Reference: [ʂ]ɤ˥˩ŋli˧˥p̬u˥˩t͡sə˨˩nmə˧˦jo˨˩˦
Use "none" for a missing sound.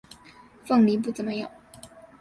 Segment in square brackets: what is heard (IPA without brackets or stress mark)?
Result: f